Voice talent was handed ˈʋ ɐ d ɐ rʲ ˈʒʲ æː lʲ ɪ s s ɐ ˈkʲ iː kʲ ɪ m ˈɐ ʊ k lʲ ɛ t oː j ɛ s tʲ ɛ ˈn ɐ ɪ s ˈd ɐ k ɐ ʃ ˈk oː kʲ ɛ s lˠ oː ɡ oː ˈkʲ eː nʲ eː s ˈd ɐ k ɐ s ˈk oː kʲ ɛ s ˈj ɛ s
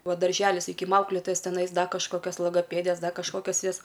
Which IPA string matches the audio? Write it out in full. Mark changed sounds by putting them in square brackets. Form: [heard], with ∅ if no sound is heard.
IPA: ˈʋ ɐ d ɐ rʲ ˈʒʲ æː lʲ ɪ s s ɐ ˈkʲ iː kʲ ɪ m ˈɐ ʊ k lʲ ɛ t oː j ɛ s tʲ ɛ ˈn ɐ ɪ s ˈd ɐ k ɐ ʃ ˈk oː kʲ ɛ s lˠ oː ɡ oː [ˈpʲ] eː [dʲ] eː s ˈd ɐ k ɐ [ʃ] ˈk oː kʲ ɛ s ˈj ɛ s